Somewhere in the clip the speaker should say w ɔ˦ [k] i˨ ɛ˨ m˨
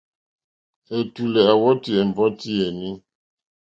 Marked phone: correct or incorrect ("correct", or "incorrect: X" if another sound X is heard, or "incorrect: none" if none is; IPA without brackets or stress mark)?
incorrect: t